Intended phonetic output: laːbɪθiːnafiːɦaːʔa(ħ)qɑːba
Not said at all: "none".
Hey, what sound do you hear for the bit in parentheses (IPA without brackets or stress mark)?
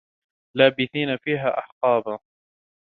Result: ħ